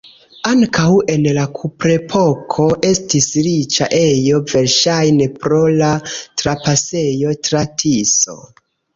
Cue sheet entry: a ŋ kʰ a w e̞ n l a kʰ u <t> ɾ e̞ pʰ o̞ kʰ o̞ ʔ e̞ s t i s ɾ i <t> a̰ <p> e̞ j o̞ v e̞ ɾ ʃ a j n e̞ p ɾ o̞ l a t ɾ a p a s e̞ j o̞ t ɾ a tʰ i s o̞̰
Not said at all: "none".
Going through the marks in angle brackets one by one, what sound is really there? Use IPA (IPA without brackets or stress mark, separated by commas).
p, t͡ʃ, ʔ